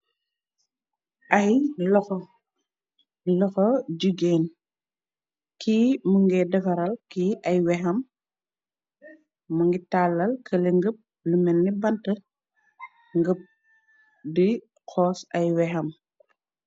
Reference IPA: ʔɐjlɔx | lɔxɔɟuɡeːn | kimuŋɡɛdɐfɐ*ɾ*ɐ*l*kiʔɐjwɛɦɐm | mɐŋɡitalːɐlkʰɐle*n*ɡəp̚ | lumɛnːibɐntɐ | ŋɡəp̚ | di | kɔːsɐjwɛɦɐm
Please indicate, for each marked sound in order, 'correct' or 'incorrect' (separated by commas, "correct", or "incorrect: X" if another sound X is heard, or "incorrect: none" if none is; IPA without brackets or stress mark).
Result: correct, correct, incorrect: ŋ